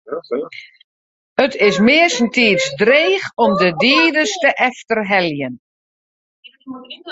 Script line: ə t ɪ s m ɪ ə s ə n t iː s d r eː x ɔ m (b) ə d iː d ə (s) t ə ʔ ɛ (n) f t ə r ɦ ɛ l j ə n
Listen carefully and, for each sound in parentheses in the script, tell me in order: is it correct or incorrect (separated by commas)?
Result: incorrect, correct, incorrect